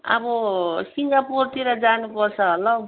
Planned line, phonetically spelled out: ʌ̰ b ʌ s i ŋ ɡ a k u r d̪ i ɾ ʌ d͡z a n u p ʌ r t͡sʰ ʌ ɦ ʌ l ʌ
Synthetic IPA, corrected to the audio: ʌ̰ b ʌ s i ŋ ɡ a p u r t̪ i ɾ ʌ d͡z a n u p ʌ r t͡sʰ ʌ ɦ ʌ l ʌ